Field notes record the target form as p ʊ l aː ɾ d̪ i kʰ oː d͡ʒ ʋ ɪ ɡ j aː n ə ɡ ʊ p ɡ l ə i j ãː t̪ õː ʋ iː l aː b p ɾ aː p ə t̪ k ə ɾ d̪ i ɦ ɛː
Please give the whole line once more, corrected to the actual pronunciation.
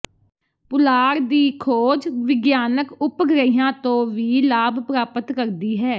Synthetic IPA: p ʊ l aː ɾ d̪ iː kʰ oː d͡ʒ ʋ ɪ ɡ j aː n ə k ʊ p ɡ ɾ ə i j ãː t̪ õː ʋ iː l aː b p ɾ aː p ə t̪ k ə ɾ d̪ iː ɦ ɛː

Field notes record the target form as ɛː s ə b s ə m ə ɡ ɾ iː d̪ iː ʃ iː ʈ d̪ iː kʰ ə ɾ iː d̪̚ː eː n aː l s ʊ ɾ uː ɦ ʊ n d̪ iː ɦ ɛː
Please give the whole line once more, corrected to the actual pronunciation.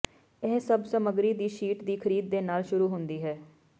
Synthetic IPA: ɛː s ə b s ə m ə ɡ ɾ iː d̪ iː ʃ iː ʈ d̪ iː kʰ ə ɾ iː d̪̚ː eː n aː l ʃ ʊ ɾ uː ɦ ʊ n d̪ iː ɦ ɛː

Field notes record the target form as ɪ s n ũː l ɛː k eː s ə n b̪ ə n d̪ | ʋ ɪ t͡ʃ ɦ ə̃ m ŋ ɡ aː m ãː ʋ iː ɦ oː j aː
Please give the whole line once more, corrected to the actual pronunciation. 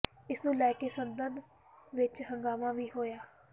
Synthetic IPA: ɪ s n ũː l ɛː k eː s ə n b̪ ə n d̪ | ʋ ɪ t͡ʃ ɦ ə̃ ŋ ɡ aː m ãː ʋ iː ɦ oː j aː

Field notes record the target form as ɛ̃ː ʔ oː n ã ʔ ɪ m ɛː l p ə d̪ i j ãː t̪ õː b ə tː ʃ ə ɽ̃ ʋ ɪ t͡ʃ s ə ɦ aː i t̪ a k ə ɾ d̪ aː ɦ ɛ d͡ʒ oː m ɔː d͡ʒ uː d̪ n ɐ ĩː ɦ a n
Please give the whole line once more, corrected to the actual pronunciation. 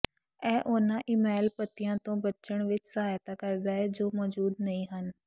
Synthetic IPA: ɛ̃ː ʔ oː n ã ʔ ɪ m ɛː l p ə t̪ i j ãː t̪ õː b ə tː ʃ ə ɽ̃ ʋ ɪ t͡ʃ s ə ɦ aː j t̪ a k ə ɾ d̪ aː ɦ ɛ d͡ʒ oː m ɔː d͡ʒ uː d̪ n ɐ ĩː ɦ ə n

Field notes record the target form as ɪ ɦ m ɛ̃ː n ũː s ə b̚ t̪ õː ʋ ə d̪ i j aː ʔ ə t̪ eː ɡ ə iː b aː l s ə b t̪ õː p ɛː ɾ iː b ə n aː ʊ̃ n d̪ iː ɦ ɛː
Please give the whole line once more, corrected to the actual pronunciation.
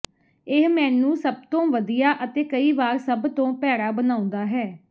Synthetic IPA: ɪ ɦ m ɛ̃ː n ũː s ə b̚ t̪ õː ʋ ə d̪ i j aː ʔ ə t̪ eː k ə iː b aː ɾ s ə b t̪ õː p ɛː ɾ aː b ə n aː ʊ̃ n d̪ aː ɦ ɛː

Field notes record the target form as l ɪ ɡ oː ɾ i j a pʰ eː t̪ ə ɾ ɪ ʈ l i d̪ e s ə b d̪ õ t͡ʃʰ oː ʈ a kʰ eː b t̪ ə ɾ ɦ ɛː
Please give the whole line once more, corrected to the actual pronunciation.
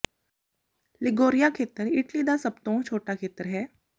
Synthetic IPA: l ɪ ɡ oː ɾ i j a kʰ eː t̪ ə ɾ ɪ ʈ l i d̪ a s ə b t̪ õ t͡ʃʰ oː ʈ a kʰ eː t̪ ə ɾ ɦ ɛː

